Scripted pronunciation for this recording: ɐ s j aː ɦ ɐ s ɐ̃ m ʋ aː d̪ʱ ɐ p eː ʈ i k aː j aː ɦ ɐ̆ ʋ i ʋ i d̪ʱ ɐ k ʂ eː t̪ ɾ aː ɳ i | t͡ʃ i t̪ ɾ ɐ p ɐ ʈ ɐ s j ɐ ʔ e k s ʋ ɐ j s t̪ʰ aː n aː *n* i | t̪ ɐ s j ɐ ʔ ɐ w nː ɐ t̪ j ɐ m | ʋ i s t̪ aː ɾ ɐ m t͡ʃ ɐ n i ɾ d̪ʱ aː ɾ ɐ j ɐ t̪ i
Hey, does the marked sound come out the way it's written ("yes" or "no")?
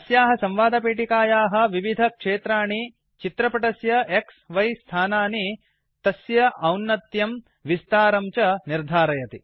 yes